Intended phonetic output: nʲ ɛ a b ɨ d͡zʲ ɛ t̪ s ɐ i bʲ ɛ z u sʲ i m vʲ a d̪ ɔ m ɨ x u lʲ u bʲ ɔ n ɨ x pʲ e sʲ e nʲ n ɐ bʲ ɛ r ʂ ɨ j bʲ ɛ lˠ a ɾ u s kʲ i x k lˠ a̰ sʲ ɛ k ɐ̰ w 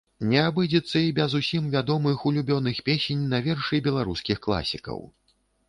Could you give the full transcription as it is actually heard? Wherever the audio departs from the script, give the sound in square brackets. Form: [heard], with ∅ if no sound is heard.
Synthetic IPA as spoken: nʲ ɛ a b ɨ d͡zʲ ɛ t̪ [sː] ɐ i bʲ ɛ z u sʲ i m vʲ a d̪ ɔ m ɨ x u lʲ u bʲ ɔ n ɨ x pʲ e sʲ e nʲ n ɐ [vʲ] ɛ r ʂ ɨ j bʲ ɛ lˠ a ɾ u s kʲ i x k lˠ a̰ sʲ [i] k ɐ̰ w